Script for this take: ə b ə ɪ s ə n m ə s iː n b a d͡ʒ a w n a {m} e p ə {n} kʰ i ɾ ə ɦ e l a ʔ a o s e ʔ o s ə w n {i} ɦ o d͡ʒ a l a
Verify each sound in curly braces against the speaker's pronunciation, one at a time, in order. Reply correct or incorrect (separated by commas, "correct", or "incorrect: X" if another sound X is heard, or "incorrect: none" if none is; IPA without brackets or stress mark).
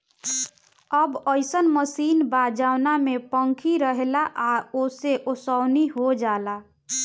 correct, incorrect: ŋ, correct